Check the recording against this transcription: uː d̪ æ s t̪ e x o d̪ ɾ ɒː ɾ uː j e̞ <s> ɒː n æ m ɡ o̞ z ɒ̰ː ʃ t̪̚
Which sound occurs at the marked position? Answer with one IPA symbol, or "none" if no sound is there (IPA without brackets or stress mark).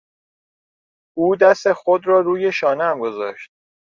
ʃ